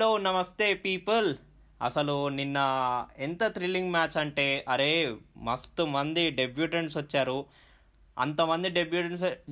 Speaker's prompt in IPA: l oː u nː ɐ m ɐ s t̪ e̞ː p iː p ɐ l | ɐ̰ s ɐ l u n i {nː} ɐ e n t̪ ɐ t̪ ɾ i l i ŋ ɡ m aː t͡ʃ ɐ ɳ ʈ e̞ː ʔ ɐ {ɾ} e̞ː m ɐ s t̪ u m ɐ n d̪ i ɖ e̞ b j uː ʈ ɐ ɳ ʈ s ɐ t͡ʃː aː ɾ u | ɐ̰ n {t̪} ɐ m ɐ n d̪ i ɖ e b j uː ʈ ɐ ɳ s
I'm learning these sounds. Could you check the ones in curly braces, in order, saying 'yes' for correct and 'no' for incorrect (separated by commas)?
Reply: yes, yes, yes